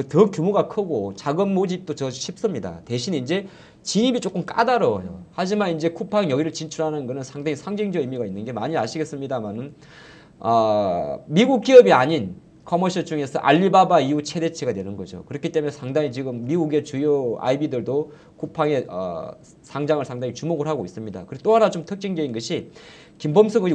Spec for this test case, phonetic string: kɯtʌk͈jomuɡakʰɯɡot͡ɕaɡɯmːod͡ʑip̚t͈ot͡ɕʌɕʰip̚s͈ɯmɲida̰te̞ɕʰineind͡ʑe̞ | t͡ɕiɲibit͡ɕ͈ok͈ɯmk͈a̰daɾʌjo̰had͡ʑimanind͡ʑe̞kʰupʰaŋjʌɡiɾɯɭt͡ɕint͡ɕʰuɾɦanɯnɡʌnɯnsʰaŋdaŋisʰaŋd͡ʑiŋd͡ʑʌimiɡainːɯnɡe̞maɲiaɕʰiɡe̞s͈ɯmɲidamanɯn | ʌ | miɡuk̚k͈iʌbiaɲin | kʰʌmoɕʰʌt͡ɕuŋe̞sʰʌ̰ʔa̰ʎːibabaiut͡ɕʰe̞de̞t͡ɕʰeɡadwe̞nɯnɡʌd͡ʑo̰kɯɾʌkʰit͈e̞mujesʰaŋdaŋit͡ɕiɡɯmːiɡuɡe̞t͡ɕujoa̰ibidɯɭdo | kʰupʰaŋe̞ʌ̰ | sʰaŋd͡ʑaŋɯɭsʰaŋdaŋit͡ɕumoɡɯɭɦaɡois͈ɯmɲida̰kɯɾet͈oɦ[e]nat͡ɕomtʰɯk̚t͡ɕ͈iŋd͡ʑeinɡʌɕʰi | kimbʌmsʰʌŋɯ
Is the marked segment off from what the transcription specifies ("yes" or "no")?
yes